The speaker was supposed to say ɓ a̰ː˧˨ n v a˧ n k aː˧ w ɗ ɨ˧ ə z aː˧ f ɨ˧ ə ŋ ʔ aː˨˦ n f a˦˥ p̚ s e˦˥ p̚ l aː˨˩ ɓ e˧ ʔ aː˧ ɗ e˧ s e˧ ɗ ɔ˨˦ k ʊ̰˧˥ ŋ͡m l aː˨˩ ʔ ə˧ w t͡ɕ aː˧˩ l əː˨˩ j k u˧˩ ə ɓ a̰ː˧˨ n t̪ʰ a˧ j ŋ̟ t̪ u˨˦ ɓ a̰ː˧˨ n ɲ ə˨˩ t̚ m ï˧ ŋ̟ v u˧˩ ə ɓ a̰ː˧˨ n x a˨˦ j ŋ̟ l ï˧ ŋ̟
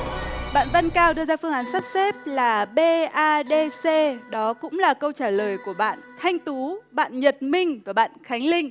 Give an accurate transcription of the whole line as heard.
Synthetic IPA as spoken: ɓ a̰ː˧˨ n v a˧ n k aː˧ w ɗ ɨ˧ ə z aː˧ f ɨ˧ ə ŋ ʔ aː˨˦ n s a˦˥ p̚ s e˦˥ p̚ l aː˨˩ ɓ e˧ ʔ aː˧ ɗ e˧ s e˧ ɗ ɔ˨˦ k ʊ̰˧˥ ŋ͡m l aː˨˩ k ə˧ w t͡ɕ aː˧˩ l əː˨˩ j k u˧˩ ə ɓ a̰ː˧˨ n t̪ʰ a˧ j ŋ̟ t̪ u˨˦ ɓ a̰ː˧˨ n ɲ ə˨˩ t̚ m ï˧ ŋ̟ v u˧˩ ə ɓ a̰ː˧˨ n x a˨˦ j ŋ̟ l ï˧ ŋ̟